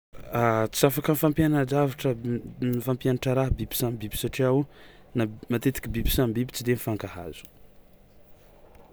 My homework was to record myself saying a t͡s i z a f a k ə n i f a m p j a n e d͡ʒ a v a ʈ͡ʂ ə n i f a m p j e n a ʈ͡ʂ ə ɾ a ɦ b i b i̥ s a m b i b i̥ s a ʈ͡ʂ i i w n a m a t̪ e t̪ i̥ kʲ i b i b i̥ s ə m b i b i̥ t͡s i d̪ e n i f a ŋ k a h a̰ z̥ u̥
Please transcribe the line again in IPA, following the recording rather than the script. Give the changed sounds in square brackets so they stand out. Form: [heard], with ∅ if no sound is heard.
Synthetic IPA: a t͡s i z a f a k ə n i f a m p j a n [a] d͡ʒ a v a ʈ͡ʂ ə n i f a m p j [a] n a ʈ͡ʂ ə ɾ a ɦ b i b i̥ s a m b i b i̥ s a ʈ͡ʂ i [a] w n a m a t̪ e t̪ i̥ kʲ i b i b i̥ s [a] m b i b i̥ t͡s i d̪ e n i f a ŋ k a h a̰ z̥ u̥